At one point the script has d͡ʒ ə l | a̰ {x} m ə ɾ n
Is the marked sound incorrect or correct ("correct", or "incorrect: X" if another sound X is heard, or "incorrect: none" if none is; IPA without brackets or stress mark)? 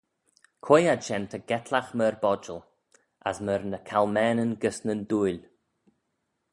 incorrect: s